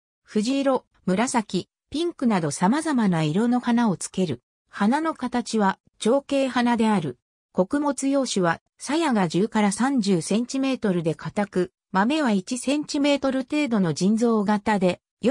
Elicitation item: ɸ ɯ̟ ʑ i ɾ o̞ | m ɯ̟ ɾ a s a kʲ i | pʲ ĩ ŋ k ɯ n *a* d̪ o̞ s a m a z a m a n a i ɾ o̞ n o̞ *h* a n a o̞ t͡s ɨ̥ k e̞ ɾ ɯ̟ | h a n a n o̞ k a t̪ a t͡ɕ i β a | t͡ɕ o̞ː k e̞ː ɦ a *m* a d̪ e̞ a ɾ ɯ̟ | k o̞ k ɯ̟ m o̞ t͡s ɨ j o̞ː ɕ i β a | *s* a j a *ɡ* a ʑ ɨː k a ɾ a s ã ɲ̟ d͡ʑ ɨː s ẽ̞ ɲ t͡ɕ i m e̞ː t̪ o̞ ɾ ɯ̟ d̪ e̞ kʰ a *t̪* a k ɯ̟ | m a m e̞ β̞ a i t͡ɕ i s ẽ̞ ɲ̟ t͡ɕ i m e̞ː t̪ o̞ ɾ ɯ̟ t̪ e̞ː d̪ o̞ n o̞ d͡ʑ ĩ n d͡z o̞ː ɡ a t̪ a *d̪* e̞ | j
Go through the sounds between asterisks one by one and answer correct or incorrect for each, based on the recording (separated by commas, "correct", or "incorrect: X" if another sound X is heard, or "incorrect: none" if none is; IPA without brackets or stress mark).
correct, correct, incorrect: n, correct, correct, correct, correct